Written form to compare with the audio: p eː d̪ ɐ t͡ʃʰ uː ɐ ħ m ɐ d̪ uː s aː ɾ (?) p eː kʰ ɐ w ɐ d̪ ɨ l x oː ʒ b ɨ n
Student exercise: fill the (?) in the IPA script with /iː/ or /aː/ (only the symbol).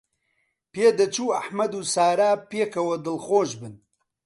aː